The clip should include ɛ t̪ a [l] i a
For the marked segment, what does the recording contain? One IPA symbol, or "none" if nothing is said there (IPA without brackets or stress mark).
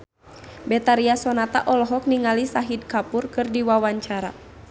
ɾ